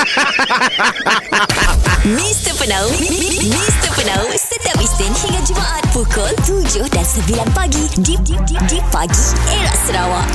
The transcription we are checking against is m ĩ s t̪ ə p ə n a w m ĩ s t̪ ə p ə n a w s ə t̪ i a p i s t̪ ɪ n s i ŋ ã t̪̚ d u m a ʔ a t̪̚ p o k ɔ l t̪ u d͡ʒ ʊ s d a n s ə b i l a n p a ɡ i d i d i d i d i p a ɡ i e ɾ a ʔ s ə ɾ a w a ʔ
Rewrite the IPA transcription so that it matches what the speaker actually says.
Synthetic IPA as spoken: m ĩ s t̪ ə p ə n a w m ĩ s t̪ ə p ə n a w s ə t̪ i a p i s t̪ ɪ n h i ŋ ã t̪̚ d͡ʒ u m a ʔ a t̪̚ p u k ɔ l t̪ u d͡ʒ ʊ h d a n s ə b i l a n p a ɡ i d i d i d i d i p a ɡ i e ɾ a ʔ s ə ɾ a w a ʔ